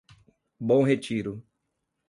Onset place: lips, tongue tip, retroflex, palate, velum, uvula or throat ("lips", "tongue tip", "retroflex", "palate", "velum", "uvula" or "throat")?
lips